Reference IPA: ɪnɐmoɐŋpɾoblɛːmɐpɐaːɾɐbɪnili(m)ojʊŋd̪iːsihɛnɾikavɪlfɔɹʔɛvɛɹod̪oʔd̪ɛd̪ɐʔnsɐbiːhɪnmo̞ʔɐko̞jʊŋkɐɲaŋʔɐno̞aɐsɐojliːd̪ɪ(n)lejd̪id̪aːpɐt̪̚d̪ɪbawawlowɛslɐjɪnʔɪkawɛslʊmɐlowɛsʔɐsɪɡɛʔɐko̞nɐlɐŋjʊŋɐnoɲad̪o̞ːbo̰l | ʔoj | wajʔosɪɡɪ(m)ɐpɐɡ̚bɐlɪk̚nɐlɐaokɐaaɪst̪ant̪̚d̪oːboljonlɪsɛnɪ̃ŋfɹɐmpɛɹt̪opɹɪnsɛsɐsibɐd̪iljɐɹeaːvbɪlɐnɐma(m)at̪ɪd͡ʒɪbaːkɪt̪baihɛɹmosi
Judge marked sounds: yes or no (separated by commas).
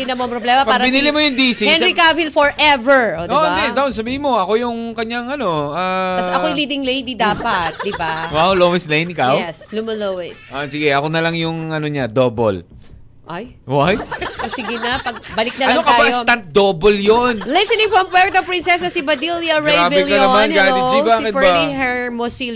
yes, no, no, no